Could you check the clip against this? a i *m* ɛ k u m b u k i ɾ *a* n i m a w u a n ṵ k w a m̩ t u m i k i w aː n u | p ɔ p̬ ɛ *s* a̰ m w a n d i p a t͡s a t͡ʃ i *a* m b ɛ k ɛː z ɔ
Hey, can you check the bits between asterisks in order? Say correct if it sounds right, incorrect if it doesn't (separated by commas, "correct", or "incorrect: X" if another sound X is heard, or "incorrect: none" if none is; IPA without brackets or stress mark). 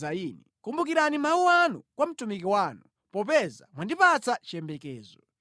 incorrect: n, correct, incorrect: z, incorrect: ɛ